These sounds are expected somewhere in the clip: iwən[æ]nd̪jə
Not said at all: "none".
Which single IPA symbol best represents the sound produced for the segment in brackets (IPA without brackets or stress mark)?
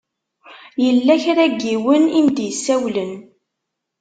i